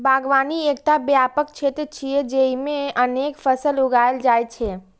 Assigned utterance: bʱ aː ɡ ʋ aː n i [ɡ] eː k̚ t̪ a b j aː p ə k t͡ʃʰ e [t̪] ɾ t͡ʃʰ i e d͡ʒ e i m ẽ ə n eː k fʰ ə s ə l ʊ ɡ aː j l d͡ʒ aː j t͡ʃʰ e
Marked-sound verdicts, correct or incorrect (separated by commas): incorrect, correct